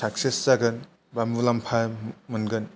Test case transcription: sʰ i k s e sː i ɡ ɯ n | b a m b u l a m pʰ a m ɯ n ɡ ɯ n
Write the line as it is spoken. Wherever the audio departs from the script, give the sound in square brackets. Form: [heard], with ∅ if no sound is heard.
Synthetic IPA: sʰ [a] k s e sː [a] ɡ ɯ n | b a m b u l a m pʰ a m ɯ n ɡ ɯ n